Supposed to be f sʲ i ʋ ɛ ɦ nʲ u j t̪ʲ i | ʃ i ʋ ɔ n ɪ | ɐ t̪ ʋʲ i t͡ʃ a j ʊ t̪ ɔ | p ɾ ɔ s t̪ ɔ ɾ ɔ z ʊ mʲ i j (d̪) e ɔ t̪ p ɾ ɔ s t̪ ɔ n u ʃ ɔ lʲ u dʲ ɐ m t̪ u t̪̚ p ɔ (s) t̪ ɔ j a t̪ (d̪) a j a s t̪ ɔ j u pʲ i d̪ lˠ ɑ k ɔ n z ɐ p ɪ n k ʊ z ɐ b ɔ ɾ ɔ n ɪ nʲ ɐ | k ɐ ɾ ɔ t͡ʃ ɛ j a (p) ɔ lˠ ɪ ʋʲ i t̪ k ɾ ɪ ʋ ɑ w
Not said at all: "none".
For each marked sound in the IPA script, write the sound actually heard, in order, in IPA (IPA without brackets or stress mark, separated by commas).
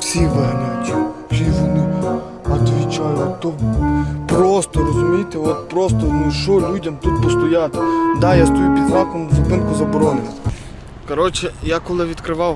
t̪, s, d̪, k